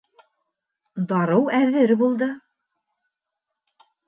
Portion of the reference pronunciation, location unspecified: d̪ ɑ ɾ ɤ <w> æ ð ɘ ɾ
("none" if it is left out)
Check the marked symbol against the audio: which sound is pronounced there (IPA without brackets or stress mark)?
w